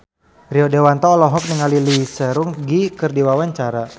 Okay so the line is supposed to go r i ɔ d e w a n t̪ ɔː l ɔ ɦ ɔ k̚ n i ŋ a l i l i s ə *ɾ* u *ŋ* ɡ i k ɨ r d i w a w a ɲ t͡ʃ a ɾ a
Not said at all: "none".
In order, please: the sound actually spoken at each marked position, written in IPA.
ɾ, ŋ

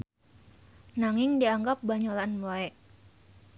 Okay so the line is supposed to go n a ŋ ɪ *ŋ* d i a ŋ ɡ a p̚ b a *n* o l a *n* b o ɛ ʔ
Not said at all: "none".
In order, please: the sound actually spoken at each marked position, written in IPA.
ŋ, ɲ, n

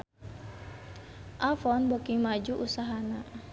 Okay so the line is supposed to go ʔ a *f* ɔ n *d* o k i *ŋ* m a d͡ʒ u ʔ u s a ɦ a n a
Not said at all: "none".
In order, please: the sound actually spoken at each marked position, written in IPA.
f, b, ŋ

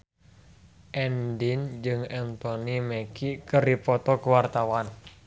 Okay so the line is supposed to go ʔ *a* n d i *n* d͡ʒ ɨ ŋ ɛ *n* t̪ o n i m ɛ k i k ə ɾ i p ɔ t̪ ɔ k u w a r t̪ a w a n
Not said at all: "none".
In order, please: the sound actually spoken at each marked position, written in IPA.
ɛ, n, n

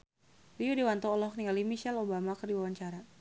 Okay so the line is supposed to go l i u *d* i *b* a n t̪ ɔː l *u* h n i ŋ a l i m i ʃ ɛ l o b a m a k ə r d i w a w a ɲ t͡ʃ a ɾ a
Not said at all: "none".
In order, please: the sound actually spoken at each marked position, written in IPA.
d, w, ɔ

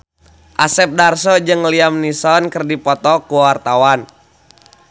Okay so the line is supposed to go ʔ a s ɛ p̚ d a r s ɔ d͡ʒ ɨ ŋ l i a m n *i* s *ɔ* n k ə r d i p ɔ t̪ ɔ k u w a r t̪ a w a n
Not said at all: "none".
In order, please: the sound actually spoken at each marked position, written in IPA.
i, ɔ

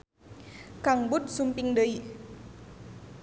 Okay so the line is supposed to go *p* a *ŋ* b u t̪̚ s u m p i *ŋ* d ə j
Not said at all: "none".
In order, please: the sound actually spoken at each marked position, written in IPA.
k, ŋ, ŋ

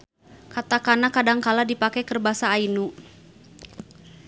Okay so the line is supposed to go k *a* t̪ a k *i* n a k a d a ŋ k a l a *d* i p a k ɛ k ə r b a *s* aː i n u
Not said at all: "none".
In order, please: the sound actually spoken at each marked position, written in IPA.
a, a, d, s

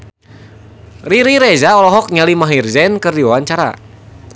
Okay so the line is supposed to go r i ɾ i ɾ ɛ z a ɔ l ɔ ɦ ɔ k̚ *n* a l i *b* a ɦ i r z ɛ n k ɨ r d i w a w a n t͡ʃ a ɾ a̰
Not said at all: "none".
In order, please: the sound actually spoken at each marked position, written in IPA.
ɲ, m

